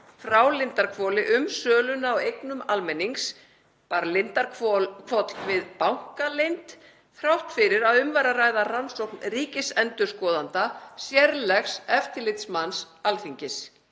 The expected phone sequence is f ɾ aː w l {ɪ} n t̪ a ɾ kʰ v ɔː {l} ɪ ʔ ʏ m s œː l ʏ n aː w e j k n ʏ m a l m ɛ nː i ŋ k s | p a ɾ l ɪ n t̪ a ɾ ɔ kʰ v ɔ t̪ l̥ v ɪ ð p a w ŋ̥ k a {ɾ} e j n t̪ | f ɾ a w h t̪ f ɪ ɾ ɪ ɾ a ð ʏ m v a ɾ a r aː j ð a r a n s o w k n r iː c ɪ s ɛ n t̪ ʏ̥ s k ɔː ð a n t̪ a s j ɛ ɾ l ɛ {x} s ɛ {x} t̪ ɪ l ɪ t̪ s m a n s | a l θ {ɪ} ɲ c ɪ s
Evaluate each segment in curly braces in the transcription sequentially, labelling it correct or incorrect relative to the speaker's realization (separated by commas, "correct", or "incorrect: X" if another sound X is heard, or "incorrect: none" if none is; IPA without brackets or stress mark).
correct, correct, incorrect: l, correct, incorrect: f, incorrect: i